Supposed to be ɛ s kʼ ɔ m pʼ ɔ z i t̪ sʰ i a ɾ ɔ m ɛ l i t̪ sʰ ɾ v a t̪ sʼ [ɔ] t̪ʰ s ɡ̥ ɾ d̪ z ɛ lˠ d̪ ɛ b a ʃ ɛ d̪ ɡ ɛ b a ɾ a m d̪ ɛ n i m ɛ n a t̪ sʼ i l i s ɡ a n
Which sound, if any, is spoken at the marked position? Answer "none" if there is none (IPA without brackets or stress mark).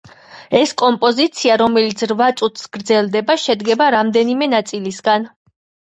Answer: u